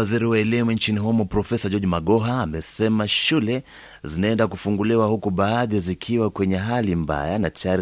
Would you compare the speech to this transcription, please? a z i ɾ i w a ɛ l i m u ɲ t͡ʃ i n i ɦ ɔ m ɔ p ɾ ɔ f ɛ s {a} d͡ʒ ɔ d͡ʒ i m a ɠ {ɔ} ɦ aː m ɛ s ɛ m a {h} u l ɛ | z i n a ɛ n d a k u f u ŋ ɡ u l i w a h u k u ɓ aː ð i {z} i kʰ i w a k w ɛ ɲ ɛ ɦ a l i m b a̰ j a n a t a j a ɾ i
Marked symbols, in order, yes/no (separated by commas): yes, yes, no, yes